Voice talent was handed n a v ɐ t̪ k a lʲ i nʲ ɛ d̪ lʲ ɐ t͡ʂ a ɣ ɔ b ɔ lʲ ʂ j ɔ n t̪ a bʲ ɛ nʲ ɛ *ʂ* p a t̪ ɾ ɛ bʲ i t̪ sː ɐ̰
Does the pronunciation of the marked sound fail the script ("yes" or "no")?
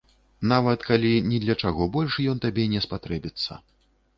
yes